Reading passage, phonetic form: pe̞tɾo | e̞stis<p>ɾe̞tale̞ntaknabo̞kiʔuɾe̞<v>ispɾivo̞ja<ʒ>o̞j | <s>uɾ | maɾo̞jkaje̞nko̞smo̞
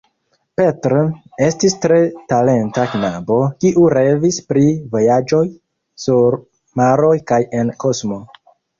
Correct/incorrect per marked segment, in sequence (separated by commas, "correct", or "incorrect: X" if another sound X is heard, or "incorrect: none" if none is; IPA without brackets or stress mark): incorrect: t, correct, incorrect: d͡ʒ, correct